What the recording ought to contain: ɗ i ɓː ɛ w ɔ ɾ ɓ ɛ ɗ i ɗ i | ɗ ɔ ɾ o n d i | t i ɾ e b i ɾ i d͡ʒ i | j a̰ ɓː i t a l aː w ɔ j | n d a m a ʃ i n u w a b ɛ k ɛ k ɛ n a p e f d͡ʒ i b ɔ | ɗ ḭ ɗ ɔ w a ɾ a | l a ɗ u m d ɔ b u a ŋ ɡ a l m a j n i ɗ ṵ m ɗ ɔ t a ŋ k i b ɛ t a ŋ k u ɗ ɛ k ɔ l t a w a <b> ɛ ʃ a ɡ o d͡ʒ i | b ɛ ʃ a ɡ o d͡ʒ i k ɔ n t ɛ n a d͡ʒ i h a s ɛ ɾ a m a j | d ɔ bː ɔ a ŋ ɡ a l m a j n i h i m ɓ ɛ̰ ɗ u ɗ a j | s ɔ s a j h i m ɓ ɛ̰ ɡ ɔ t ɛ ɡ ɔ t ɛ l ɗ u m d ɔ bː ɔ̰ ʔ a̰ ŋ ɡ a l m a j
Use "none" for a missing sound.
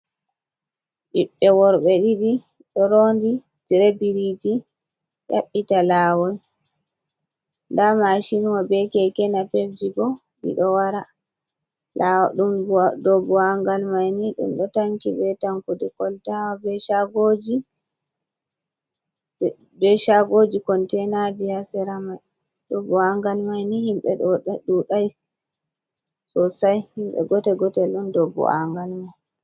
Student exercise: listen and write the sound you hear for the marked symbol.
b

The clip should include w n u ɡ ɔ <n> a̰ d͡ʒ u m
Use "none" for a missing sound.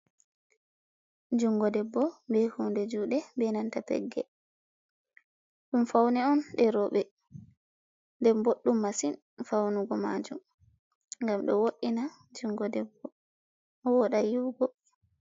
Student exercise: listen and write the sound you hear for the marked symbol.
m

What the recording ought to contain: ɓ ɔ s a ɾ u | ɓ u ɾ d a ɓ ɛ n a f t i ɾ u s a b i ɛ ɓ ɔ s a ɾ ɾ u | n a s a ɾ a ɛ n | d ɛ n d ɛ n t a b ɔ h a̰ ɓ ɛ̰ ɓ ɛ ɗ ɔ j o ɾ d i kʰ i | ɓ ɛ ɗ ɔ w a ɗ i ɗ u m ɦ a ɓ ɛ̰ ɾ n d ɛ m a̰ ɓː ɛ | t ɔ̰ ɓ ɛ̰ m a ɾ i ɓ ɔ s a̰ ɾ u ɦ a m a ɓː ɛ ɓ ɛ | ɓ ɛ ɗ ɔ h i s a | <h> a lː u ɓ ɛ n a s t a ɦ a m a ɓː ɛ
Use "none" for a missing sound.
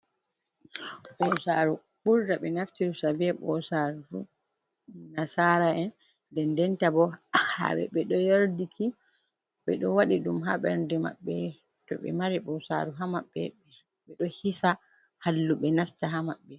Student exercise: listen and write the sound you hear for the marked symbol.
h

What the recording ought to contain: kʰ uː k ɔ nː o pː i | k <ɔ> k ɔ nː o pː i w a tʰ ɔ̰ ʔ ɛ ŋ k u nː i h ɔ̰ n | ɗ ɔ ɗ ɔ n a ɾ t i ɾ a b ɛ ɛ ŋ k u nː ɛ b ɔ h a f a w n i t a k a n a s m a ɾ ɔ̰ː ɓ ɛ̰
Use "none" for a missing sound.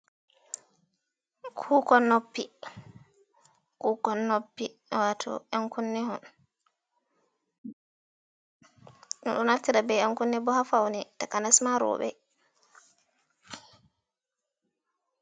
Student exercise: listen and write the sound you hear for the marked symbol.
u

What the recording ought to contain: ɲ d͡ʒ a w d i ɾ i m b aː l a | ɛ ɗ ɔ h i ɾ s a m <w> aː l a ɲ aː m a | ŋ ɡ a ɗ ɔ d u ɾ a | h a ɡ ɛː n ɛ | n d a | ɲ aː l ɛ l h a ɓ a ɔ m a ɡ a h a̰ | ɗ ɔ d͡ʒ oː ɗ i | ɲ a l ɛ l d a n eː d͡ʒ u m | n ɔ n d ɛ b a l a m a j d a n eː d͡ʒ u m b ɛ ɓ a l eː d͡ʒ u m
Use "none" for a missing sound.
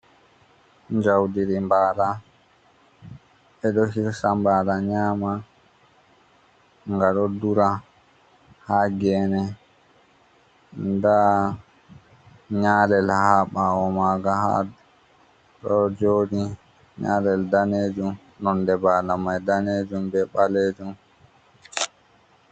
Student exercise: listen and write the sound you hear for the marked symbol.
b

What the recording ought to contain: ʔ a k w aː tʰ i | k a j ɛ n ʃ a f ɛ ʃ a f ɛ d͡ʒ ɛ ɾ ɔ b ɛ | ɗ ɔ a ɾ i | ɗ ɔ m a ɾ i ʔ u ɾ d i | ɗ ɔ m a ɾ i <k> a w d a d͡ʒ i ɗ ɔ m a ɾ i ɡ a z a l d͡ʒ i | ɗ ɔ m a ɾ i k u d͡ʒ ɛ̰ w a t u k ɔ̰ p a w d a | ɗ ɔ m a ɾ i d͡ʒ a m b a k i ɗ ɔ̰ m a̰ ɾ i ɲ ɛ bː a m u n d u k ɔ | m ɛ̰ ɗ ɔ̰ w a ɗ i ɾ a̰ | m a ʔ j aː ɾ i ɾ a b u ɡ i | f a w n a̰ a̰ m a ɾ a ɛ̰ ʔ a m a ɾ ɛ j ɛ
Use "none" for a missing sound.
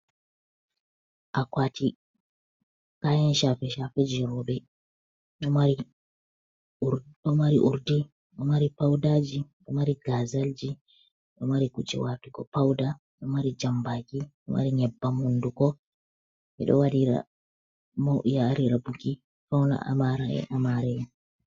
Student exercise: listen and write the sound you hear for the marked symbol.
p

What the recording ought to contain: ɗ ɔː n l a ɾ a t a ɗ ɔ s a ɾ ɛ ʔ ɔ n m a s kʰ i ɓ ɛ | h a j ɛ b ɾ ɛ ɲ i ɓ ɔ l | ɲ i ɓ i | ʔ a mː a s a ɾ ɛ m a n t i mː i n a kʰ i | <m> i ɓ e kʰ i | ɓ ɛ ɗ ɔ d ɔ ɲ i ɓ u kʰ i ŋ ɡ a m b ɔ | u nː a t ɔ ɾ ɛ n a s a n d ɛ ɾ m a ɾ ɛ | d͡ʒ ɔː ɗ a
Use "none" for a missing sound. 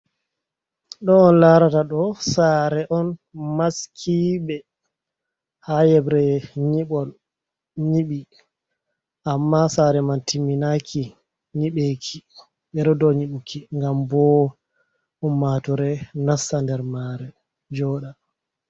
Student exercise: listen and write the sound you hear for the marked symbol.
ɲ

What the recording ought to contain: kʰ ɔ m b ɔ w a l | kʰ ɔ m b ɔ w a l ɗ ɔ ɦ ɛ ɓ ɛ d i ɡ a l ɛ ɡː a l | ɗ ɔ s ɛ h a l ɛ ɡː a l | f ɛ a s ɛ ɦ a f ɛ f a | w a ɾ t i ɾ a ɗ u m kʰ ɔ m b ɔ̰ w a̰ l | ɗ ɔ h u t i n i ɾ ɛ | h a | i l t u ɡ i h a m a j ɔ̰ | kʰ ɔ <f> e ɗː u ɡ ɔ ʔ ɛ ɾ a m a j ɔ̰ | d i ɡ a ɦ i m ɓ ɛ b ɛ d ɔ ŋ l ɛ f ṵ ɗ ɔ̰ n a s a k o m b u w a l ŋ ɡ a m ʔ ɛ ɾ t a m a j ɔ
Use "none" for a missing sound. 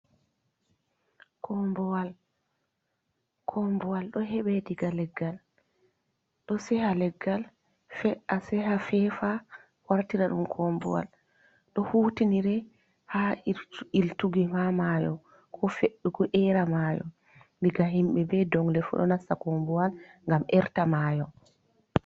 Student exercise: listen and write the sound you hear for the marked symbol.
f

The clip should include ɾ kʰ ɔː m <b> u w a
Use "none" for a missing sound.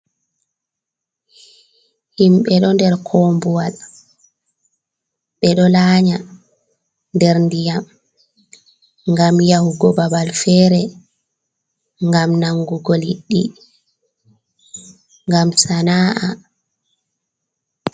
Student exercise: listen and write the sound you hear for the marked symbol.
b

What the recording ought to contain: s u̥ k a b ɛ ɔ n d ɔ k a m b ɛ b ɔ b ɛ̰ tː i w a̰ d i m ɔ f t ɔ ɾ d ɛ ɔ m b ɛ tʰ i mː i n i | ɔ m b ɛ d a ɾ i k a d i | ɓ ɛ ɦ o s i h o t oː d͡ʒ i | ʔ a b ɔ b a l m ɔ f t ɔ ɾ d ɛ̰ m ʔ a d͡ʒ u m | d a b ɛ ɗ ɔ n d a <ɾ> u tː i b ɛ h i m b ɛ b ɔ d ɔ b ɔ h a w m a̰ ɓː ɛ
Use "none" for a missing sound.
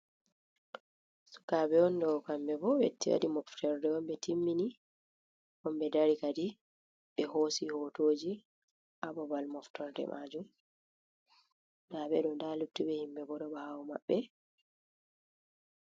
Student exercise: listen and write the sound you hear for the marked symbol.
l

